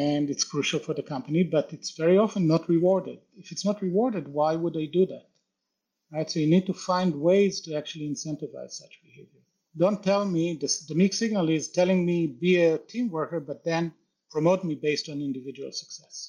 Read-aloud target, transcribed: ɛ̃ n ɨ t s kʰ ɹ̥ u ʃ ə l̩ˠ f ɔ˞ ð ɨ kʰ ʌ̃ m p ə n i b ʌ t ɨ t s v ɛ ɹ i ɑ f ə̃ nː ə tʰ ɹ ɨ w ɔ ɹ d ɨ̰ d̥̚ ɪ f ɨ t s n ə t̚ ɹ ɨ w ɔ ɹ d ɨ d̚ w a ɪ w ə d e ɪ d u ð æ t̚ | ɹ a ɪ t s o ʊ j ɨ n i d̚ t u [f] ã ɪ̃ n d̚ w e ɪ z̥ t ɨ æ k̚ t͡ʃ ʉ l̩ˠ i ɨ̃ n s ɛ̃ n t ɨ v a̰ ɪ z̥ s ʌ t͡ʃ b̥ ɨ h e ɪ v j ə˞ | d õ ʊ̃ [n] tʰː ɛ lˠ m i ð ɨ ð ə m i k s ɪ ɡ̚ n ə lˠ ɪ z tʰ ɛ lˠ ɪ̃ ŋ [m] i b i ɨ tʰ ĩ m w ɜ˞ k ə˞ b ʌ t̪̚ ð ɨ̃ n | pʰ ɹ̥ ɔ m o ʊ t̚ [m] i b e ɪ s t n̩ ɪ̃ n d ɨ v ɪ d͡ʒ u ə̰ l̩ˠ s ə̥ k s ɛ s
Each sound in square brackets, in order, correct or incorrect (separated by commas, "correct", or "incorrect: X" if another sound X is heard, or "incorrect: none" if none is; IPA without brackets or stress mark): correct, correct, correct, correct